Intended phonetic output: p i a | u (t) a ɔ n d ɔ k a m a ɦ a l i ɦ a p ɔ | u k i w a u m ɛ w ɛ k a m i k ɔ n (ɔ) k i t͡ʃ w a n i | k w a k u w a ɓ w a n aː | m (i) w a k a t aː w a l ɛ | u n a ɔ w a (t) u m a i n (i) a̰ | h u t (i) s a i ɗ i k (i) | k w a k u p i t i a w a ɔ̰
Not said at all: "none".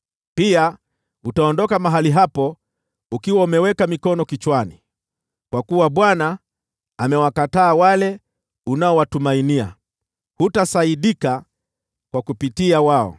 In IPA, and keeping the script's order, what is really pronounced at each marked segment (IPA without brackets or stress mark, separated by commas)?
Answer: t, ɔ, ɛ, t, i, a, a